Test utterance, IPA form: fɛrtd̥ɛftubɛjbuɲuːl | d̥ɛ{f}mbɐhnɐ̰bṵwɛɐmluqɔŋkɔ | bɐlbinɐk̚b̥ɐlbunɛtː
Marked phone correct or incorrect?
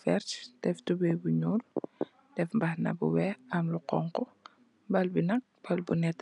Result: correct